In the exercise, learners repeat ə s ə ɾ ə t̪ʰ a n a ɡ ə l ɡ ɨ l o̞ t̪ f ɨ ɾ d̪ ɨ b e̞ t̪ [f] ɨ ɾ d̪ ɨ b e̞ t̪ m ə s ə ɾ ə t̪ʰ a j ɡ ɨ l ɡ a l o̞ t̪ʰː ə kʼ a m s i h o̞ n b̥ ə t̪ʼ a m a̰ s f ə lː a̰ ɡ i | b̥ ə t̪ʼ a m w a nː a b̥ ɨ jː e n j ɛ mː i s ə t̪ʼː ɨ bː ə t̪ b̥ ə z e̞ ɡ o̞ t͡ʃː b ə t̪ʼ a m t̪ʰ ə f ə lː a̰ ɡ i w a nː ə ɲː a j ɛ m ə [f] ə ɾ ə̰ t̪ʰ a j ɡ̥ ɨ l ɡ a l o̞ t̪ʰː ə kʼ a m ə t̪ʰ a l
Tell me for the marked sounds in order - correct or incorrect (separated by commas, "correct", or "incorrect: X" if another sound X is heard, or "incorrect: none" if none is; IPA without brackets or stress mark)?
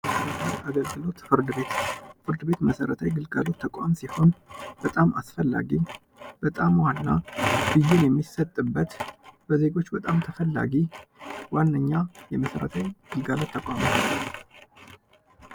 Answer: correct, incorrect: s